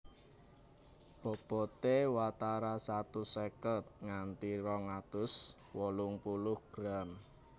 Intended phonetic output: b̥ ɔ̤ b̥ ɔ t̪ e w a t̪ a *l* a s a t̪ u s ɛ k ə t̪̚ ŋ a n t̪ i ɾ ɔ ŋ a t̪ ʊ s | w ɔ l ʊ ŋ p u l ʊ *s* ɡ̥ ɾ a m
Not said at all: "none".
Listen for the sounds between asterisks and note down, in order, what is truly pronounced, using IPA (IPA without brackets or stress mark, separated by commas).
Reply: ɾ, h